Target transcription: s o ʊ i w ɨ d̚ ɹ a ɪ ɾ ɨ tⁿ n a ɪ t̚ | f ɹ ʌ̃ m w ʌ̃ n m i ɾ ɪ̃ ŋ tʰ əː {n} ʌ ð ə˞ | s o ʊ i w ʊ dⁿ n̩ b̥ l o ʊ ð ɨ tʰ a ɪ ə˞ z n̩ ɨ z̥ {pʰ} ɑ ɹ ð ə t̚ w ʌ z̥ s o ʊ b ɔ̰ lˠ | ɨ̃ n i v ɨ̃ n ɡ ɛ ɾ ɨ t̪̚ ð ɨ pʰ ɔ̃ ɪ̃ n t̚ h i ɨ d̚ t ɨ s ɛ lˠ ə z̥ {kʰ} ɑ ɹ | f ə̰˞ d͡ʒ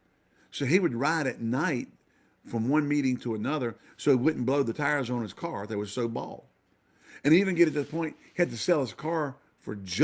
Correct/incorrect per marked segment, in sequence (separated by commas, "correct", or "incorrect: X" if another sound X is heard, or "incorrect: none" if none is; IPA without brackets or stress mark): correct, incorrect: kʰ, correct